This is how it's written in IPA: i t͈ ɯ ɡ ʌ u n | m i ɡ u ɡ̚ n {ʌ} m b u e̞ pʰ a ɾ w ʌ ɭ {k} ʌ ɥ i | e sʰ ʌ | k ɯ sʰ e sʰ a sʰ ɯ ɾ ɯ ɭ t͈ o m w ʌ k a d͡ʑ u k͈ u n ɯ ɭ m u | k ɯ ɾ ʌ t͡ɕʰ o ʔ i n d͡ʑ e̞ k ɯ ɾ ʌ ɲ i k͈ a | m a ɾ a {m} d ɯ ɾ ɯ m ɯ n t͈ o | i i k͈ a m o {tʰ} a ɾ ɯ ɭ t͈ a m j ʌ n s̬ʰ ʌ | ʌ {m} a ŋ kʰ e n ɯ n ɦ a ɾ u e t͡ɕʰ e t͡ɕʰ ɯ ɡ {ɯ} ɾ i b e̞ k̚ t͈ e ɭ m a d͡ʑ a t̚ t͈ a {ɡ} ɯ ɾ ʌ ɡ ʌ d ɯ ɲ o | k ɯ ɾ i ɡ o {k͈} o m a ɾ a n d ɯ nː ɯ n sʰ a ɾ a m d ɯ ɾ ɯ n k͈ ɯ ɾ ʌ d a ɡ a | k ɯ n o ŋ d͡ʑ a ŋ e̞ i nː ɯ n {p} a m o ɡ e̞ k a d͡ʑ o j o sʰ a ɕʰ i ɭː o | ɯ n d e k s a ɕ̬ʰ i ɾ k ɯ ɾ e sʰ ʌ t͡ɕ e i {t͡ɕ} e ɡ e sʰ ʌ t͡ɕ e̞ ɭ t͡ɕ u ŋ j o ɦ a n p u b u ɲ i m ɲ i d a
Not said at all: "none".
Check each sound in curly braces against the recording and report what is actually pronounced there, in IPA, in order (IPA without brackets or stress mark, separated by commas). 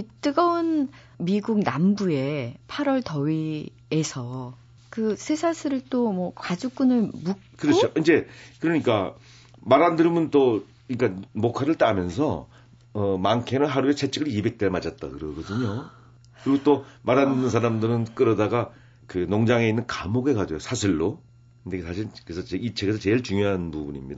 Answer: a, t, n, kʰ, m, ɯ, k, t͈, k, t͡ɕʰ